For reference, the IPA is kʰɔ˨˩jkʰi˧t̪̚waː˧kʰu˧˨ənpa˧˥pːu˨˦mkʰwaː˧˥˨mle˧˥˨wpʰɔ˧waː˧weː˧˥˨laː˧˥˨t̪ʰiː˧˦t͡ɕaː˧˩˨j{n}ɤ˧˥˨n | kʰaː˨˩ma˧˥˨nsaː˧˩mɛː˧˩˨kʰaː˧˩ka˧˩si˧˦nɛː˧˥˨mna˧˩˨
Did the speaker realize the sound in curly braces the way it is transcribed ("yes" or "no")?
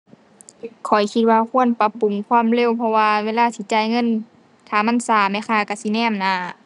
no